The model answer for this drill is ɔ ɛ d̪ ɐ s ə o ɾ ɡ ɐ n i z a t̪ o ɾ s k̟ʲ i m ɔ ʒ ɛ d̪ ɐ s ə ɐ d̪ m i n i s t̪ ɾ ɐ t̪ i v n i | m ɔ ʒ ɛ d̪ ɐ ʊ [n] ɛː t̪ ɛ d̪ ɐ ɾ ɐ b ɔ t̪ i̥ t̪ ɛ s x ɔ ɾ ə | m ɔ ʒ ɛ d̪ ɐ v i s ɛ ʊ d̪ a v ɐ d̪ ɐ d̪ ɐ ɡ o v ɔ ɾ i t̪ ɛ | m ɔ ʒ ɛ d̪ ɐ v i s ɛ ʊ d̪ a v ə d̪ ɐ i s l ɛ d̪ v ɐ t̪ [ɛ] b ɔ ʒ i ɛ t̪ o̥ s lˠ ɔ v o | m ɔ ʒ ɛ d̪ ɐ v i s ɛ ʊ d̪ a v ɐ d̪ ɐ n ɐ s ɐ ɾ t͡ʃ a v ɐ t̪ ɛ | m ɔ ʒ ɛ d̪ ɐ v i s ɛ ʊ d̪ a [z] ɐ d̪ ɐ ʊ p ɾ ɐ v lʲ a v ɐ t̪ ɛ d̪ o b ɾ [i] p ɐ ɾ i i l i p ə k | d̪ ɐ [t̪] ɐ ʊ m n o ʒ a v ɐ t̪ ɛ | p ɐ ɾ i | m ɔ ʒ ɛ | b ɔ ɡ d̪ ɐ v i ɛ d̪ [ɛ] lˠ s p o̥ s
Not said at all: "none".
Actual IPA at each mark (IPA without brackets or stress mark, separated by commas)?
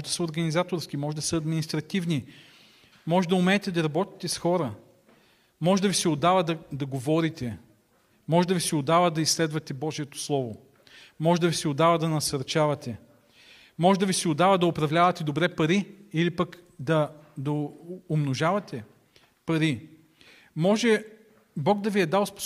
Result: m, ɛ, v, ɛ, d̪, a